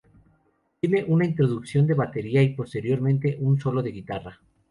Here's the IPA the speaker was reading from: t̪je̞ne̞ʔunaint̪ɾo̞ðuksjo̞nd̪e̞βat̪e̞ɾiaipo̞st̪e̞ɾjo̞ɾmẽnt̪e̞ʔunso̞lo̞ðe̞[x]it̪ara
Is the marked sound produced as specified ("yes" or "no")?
no